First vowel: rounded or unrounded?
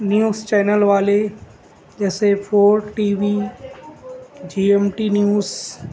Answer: rounded